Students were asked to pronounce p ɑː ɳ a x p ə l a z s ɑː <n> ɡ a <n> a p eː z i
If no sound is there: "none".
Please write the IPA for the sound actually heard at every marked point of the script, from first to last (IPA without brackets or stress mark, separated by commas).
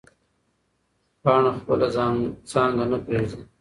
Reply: ŋ, n